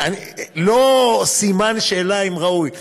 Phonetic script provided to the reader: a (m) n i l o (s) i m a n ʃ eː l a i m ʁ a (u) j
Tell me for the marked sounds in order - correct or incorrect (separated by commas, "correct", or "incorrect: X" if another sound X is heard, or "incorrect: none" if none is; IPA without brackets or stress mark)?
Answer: incorrect: none, correct, correct